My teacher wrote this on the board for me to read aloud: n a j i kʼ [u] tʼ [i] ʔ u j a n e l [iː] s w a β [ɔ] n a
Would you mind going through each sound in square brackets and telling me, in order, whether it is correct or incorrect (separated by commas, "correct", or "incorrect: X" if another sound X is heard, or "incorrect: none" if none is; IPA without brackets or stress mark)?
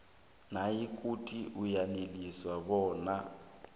correct, correct, incorrect: i, incorrect: ɔː